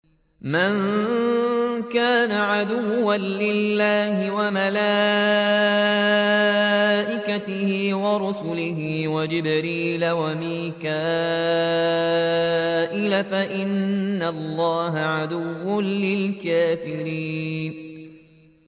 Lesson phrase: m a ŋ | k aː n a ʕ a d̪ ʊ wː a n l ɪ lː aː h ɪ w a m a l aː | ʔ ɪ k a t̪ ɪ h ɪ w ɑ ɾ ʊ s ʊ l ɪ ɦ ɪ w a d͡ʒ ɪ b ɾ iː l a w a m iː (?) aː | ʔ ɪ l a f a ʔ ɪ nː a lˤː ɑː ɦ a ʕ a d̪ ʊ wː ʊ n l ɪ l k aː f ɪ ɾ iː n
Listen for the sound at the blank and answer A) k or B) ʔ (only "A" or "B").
A